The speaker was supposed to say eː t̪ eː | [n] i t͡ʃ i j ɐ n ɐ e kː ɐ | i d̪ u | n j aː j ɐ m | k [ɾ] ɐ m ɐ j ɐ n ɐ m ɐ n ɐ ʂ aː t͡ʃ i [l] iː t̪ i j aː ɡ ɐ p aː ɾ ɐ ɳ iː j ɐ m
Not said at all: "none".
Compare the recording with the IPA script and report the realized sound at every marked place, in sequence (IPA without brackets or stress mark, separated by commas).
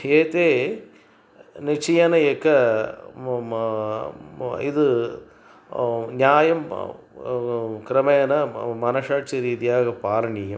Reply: n, ɾ, ɾ